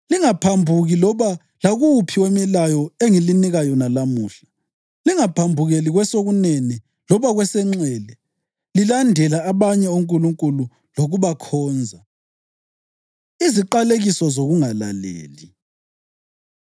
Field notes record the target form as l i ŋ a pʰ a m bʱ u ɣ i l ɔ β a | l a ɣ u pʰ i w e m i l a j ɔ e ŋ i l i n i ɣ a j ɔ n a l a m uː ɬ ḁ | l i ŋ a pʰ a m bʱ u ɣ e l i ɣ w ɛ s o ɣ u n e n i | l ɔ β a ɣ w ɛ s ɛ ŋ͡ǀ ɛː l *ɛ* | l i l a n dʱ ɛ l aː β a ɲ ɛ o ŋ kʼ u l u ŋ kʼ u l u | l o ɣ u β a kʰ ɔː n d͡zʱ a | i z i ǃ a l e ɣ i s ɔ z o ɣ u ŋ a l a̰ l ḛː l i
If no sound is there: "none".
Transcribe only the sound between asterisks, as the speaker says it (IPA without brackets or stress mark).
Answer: ɛ